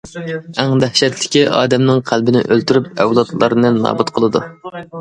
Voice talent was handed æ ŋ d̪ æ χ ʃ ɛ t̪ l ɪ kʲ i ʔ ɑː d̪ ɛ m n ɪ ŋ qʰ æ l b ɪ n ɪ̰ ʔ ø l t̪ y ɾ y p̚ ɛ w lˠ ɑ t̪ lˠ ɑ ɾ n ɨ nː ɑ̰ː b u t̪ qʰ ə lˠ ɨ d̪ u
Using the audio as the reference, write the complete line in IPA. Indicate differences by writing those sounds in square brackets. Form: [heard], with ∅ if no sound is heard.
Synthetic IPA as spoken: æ ŋ d̪ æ [h] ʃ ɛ t̪ l ɪ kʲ i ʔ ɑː d̪ ɛ m n ɪ ŋ qʰ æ l b ɪ n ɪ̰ ʔ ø l t̪ y ɾ y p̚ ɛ w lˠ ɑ t̪ lˠ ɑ ɾ n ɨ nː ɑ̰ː b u t̪ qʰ ə lˠ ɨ d̪ u